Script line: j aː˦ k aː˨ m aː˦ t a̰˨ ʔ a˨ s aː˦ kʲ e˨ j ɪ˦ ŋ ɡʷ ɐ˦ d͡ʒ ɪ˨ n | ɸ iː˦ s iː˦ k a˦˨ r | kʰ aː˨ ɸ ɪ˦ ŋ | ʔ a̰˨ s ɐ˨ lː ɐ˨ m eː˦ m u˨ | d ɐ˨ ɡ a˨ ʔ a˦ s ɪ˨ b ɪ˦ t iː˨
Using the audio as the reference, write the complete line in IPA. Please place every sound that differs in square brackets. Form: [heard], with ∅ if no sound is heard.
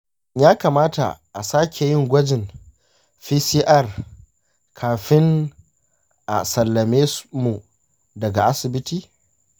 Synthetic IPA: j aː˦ k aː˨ m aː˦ t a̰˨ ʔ a˨ s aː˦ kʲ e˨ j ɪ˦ ŋ ɡʷ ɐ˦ d͡ʒ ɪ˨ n | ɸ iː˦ s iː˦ [ʔ] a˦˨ r | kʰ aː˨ ɸ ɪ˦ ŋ | ʔ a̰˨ s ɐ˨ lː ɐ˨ m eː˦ m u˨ | d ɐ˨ ɡ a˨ ʔ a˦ s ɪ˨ b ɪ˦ t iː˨